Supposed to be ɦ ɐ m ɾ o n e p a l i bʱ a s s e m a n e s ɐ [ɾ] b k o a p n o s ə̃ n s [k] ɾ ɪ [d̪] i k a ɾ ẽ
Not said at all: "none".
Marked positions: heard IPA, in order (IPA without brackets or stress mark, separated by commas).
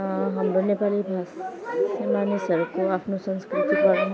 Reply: ɾ, k, t̪